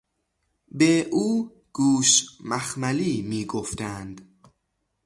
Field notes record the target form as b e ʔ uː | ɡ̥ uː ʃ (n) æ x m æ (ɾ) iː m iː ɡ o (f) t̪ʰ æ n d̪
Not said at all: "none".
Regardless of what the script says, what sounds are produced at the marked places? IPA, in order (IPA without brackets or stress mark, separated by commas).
m, l, f